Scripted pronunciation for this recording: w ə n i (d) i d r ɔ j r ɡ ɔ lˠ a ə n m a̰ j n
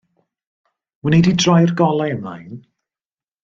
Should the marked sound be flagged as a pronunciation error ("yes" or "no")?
no